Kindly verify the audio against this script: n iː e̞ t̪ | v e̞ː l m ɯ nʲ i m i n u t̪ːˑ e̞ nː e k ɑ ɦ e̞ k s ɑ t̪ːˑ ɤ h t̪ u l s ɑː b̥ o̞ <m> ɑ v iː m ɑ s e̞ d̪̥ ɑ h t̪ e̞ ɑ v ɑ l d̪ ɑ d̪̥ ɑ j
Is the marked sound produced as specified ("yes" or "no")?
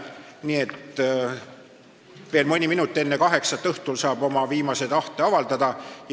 yes